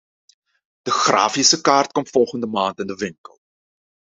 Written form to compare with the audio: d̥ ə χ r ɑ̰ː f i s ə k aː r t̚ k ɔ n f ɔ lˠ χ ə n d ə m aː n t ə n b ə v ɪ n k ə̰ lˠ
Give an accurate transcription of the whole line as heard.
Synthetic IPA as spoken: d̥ ə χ r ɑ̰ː f i s ə k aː r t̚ k ɔ m f ɔ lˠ χ ə n d ə m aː n t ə n d ə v ɪ ŋ k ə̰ lˠ